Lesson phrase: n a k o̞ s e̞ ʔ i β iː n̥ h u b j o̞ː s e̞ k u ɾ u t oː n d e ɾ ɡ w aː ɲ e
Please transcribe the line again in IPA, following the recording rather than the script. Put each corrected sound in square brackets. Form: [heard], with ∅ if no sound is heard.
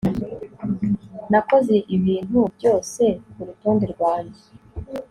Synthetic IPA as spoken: n a k o̞ [z] e̞ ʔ i β iː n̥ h u b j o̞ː s e̞ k u ɾ u t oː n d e ɾ ɡ w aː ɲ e